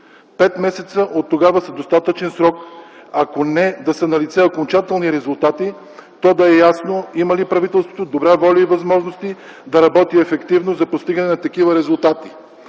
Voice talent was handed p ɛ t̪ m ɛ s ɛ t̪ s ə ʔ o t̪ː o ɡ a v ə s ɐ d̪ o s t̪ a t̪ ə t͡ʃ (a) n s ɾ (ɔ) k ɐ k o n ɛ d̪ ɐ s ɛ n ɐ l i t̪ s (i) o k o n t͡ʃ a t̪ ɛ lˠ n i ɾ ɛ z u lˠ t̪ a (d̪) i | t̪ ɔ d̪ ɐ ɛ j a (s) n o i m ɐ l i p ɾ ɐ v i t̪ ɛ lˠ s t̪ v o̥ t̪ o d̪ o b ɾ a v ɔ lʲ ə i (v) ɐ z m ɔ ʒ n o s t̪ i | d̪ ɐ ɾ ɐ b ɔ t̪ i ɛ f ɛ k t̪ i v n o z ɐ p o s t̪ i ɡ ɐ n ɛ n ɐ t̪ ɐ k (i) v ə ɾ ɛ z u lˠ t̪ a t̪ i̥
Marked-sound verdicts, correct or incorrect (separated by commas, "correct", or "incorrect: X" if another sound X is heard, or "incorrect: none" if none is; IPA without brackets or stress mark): incorrect: ɛ, correct, incorrect: ɛ, incorrect: t̪, correct, correct, correct